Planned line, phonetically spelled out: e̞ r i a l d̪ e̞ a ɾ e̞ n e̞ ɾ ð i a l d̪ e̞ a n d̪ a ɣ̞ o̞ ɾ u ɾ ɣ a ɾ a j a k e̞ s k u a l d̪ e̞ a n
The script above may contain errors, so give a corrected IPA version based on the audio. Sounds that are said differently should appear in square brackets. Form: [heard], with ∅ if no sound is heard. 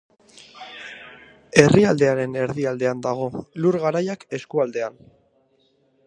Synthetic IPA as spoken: e̞ r i a l d̪ e̞ a ɾ e̞ n e̞ ɾ ð i a l d̪ e̞ a n d̪ a ɣ̞ o̞ [l] u ɾ ɣ a ɾ a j a k e̞ s k u a l d̪ e̞ a n